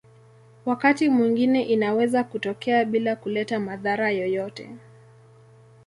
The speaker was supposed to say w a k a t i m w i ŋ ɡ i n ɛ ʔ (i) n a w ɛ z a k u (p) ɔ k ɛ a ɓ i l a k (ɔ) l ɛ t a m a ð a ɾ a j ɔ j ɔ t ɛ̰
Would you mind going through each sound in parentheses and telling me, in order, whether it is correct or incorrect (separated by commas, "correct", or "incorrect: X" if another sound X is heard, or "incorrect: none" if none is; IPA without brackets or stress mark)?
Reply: correct, incorrect: t, incorrect: u